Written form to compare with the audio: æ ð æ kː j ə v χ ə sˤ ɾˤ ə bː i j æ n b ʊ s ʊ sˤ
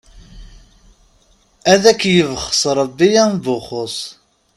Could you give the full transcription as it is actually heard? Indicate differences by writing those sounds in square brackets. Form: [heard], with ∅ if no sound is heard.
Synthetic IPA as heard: æ ð æ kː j ə v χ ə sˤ ɾˤ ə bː i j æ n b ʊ [χ] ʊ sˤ